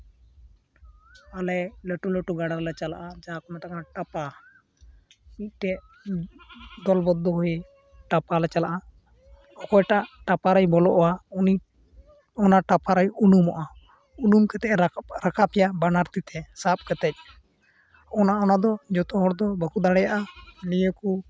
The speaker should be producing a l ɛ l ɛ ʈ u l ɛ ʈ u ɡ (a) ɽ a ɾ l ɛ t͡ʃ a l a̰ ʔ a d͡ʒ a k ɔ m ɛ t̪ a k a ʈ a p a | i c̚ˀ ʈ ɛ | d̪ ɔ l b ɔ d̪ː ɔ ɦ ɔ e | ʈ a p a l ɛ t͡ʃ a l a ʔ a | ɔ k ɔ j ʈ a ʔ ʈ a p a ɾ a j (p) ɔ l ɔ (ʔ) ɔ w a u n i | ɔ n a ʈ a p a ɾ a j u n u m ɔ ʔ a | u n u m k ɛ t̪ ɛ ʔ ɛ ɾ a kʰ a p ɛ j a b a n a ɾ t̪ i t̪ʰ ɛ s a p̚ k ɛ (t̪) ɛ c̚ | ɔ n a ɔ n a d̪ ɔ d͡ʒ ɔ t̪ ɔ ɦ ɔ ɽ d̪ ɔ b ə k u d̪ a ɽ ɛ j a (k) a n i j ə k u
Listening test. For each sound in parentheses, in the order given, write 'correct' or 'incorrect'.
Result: correct, incorrect: b, correct, correct, incorrect: ʔ

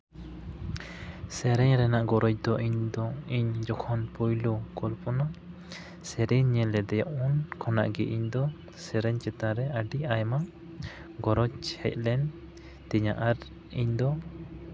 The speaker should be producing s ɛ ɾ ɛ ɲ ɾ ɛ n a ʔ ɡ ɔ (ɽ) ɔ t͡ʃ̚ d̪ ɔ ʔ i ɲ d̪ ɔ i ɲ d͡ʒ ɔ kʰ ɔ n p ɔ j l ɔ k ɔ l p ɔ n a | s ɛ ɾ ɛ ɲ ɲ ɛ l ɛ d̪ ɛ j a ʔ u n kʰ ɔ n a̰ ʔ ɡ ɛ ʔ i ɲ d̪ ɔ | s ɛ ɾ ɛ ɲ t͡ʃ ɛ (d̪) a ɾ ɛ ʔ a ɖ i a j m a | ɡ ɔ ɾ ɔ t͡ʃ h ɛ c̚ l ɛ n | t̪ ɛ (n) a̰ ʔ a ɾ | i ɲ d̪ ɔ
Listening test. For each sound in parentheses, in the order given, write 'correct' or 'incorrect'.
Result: incorrect: ɾ, incorrect: t̪, incorrect: ɲ

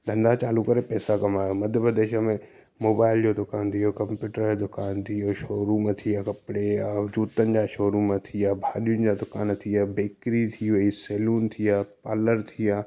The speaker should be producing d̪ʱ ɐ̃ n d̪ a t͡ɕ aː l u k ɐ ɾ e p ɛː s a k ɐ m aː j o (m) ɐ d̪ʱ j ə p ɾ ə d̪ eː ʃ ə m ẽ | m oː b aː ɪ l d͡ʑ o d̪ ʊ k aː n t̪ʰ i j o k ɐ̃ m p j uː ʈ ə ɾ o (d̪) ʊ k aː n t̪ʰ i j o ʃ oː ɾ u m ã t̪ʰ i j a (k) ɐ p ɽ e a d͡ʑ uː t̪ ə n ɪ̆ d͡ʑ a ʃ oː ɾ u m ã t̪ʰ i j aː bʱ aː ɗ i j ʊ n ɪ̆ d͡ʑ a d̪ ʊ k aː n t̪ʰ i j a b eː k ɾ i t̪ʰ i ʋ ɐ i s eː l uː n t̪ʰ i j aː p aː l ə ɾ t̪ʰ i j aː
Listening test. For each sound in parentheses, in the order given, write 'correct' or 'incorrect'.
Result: correct, correct, correct

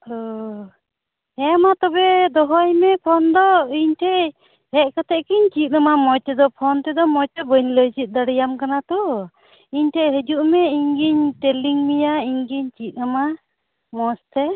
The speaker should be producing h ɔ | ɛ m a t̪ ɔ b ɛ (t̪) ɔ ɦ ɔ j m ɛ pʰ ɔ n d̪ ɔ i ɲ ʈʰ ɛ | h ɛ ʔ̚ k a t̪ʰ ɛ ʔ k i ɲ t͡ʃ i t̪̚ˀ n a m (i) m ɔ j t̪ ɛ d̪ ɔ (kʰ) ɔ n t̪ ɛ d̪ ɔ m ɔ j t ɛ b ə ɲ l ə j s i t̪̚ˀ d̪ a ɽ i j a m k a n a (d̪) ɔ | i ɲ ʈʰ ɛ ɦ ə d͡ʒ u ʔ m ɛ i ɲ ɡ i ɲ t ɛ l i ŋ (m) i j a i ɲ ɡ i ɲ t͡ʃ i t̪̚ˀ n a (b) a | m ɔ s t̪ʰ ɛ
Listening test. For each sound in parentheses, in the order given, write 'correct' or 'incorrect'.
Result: incorrect: d̪, incorrect: a, incorrect: pʰ, incorrect: t̪, correct, incorrect: m

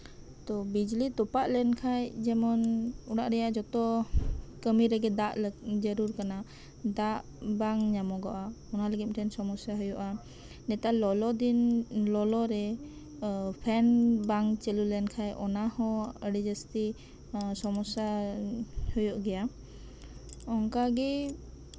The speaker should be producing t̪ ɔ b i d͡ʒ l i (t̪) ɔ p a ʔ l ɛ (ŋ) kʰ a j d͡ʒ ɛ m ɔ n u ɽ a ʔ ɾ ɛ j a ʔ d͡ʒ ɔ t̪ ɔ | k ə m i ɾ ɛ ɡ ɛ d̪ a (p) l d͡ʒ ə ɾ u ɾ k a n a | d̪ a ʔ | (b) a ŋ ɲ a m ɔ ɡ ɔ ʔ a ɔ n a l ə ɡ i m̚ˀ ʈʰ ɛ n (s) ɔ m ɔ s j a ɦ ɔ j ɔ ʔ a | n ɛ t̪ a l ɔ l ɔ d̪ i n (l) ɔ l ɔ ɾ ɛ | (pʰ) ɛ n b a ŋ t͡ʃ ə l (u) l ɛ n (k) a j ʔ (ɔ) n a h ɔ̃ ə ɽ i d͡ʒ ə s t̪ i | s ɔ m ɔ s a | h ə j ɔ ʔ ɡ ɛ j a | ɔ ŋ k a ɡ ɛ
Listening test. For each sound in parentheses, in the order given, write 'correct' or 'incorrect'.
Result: correct, incorrect: n, incorrect: ʔ, correct, correct, correct, correct, correct, incorrect: kʰ, correct

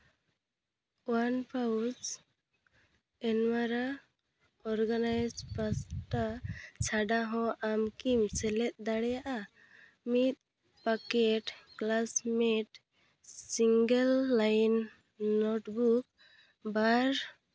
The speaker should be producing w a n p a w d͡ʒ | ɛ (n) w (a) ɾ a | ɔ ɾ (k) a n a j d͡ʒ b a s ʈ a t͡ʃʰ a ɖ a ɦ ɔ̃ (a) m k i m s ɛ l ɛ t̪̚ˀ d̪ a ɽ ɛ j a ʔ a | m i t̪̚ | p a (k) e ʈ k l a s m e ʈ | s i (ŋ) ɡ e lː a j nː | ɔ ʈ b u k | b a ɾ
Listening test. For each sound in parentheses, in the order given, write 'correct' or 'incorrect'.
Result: correct, correct, incorrect: ɡ, correct, correct, correct

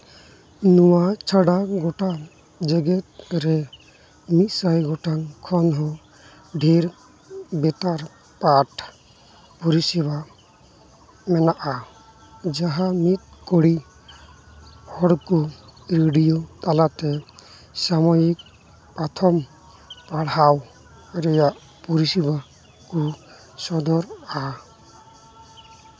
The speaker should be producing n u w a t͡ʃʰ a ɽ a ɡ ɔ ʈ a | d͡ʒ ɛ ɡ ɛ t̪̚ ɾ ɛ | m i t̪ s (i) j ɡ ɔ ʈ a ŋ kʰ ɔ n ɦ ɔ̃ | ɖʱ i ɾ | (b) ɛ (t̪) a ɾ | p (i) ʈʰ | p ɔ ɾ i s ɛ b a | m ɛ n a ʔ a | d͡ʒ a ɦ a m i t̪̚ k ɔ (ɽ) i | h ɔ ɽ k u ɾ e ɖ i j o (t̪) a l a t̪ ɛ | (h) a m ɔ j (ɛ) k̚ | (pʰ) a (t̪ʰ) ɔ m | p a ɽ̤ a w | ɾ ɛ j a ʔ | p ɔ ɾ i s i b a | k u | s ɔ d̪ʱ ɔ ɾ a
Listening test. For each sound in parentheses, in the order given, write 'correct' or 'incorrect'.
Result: incorrect: a, correct, correct, incorrect: a, correct, correct, incorrect: s, incorrect: i, incorrect: p, correct

